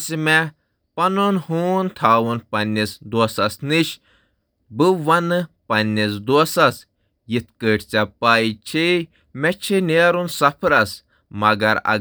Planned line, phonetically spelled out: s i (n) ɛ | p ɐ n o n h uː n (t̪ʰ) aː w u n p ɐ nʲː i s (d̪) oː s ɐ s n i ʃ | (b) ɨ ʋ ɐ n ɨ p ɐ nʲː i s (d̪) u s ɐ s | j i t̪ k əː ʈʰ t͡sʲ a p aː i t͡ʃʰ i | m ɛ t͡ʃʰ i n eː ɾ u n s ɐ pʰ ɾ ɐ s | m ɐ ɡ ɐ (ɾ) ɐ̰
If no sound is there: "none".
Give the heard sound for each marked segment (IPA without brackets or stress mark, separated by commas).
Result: m, t̪ʰ, d̪, b, d̪, ɾ